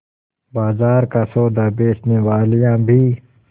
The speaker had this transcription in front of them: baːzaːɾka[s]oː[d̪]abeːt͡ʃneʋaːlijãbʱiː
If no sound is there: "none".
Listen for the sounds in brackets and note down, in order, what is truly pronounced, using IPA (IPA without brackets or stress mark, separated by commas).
s, d̪